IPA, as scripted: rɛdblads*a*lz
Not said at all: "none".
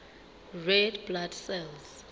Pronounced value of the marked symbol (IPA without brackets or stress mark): ɛ